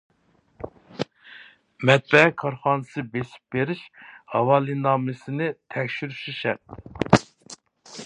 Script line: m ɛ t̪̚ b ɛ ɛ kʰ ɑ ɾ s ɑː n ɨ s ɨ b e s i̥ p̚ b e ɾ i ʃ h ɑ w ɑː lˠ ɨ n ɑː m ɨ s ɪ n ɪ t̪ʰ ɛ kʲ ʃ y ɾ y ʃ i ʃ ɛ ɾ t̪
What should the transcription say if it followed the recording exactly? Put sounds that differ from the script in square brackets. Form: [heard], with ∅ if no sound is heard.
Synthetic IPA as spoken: m ɛ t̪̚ b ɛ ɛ kʰ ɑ ɾ [χ] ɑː n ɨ s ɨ b e s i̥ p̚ b e ɾ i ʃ h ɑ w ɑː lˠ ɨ n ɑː m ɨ s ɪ n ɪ t̪ʰ ɛ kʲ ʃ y ɾ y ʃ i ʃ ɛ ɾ t̪